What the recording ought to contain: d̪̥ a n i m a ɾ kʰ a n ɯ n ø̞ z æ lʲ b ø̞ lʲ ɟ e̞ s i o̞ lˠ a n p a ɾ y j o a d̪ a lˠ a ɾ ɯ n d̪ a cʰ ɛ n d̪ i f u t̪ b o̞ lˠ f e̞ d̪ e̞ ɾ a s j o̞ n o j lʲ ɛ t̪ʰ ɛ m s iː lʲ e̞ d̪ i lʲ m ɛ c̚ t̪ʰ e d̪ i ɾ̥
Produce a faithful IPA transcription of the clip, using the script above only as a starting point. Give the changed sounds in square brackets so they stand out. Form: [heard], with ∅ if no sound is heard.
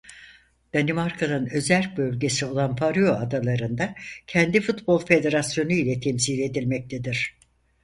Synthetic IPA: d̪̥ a n i m a ɾ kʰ a n ɯ n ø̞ z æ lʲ b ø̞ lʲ ɟ e̞ s i o̞ lˠ a n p a ɾ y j o a d̪ a lˠ a ɾ ɯ n d̪ a cʰ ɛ n d̪ i f u t̪ b o̞ lˠ f e̞ d̪ e̞ ɾ a s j o̞ n [u] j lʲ ɛ t̪ʰ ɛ m s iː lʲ e̞ d̪ i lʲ m ɛ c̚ t̪ʰ e d̪ i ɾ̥